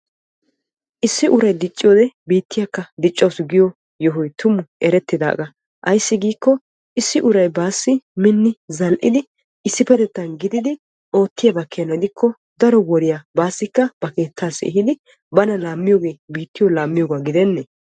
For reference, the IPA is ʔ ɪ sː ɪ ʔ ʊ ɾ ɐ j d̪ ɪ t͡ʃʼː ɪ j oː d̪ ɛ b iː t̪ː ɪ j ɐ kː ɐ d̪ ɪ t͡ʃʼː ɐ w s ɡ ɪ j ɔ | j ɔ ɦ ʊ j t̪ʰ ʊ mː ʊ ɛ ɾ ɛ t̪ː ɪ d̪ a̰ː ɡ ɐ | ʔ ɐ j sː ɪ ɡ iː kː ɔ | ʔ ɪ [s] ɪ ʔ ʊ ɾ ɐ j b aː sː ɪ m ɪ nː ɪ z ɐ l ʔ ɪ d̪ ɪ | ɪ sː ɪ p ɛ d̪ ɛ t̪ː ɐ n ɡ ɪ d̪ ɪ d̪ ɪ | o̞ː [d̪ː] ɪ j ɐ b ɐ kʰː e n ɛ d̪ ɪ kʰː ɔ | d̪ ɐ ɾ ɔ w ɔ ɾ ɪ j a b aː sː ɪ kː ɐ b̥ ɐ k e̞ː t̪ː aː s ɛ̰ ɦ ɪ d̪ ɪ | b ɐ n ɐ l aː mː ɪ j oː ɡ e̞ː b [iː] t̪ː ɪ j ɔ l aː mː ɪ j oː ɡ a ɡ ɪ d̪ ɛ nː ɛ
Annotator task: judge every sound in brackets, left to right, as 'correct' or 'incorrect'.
incorrect, incorrect, correct

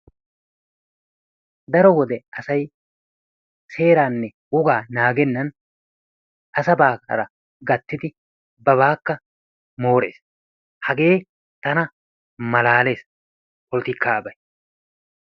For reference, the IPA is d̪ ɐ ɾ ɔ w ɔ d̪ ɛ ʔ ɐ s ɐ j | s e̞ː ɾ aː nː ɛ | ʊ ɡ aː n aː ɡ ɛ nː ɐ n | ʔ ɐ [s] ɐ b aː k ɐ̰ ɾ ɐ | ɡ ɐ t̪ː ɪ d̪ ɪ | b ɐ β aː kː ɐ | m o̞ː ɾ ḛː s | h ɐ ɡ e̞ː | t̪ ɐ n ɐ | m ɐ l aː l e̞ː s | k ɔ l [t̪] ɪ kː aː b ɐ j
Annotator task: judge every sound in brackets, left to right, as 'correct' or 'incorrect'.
correct, correct

